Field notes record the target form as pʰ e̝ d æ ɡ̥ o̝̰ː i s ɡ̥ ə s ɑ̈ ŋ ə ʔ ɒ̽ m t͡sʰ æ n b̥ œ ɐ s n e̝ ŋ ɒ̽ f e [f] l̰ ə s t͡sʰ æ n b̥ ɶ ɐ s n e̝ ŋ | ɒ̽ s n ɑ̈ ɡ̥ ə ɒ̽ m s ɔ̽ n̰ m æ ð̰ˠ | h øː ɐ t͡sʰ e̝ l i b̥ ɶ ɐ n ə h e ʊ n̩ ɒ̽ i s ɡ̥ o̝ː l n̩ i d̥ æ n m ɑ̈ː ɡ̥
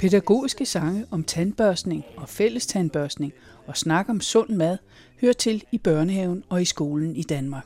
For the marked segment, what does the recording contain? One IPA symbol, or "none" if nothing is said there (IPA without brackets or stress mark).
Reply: none